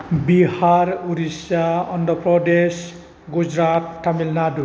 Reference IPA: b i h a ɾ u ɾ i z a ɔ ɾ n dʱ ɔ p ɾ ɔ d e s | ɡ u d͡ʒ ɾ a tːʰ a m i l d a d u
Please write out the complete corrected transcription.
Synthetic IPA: b i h a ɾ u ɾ i s a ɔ n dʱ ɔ p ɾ ɔ d e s | ɡ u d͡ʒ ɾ a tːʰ a m i l n a d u